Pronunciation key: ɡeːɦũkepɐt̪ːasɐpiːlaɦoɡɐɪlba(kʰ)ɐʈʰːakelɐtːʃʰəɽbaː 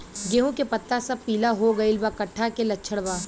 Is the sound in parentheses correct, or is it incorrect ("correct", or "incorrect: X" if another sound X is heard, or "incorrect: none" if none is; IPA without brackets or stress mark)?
incorrect: k